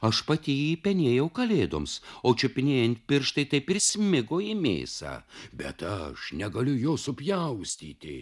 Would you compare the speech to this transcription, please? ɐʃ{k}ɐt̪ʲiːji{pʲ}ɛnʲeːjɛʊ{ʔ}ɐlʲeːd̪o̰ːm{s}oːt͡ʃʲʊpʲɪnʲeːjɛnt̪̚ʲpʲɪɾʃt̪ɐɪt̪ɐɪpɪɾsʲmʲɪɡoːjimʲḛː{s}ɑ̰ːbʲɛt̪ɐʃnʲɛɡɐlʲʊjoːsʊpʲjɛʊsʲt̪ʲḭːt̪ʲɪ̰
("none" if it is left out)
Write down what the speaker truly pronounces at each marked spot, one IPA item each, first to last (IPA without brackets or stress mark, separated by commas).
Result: p, pʲ, k, s, s